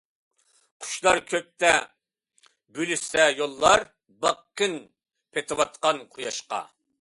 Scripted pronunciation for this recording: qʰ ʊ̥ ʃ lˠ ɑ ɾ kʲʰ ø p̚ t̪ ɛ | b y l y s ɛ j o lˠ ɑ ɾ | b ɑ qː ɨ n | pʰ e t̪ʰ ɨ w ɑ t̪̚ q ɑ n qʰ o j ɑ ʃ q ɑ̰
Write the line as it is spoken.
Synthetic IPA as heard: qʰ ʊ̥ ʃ lˠ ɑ ɾ kʲʰ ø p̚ t̪ ɛ | b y l y s ɛ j o lˠː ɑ ɾ | b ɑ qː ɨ n | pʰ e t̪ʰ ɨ w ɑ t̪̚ q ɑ n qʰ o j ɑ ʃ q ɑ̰